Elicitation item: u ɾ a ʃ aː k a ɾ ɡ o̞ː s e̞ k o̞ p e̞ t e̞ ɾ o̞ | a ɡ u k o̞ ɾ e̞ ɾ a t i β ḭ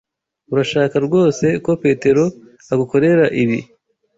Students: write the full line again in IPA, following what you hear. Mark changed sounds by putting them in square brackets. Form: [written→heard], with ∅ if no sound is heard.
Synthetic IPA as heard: u ɾ a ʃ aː k a ɾ ɡ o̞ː s e̞ k o̞ p e̞ t e̞ ɾ o̞ | a ɡ u k o̞ ɾ e̞ ɾ a [t→ʔ] i β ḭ